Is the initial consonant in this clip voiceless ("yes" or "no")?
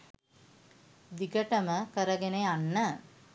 no